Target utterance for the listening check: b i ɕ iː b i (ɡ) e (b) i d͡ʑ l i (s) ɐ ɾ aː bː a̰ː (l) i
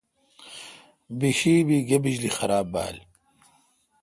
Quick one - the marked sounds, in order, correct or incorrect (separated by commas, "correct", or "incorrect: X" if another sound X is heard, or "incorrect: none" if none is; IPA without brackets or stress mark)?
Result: correct, correct, incorrect: x, correct